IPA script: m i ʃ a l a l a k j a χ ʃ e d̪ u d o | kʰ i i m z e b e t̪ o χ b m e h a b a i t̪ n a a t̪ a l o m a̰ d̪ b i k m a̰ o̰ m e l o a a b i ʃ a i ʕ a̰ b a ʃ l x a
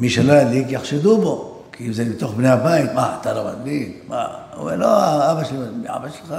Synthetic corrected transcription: m i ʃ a l a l i k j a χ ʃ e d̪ u b o | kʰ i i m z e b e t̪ o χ b n e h a b a i t̪ m a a t̪ a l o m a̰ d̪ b i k m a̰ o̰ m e l o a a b a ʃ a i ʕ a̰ b a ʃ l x a